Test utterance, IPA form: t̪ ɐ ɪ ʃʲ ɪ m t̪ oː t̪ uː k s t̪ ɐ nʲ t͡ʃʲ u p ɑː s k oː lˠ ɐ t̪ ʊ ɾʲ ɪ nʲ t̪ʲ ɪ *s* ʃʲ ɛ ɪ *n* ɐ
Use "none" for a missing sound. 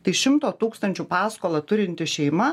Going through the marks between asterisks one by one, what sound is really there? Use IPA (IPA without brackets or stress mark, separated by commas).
none, m